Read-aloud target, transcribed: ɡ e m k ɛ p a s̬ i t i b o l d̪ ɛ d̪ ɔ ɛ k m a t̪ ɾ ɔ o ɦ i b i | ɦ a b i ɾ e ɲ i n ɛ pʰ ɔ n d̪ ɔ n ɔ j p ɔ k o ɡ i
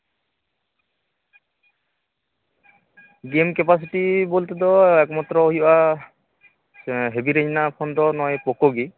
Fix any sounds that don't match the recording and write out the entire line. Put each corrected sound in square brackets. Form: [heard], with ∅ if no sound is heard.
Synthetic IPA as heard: ɡ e m k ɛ p a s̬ i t i b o l [t̪] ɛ d̪ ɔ ɛ k m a t̪ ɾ ɔ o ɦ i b [a] | ɦ [e] b i ɾ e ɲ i n [a] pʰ ɔ n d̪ ɔ n ɔ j p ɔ k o ɡ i